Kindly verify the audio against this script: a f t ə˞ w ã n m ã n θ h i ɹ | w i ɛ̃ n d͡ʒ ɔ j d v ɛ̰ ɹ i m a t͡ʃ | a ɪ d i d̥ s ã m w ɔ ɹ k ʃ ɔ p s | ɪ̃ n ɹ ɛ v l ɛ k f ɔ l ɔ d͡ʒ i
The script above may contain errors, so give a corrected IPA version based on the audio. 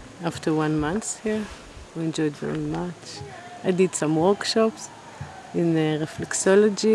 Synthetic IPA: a f t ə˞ w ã n m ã n θ h i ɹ | w i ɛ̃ n d͡ʒ ɔ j d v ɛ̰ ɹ i m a t͡ʃ | a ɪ d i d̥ s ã m w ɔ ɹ k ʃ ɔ p s | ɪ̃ n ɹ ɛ f l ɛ k s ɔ l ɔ d͡ʒ i